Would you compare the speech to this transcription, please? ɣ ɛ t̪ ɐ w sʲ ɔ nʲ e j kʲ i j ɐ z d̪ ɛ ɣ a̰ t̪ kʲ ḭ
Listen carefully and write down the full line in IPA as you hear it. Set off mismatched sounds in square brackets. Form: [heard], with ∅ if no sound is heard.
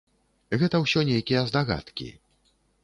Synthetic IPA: ɣ ɛ t̪ ɐ w sʲ ɔ nʲ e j kʲ i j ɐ z d̪ [a] ɣ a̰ t̪ kʲ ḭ